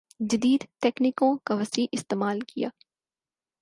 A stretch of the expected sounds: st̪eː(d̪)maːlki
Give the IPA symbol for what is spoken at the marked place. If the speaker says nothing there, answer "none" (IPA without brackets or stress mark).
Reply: none